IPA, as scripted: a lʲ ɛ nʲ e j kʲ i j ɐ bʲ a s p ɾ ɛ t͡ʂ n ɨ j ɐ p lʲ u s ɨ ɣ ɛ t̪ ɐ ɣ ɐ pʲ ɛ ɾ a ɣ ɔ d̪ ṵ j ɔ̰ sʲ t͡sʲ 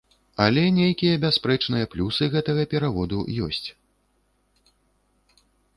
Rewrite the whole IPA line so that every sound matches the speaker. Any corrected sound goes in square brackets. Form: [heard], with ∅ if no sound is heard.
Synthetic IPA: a lʲ ɛ nʲ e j kʲ i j ɐ bʲ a s p ɾ ɛ t͡ʂ n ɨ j ɐ p lʲ u s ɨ ɣ ɛ t̪ ɐ ɣ ɐ pʲ ɛ ɾ a [v] ɔ d̪ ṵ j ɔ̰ sʲ t͡sʲ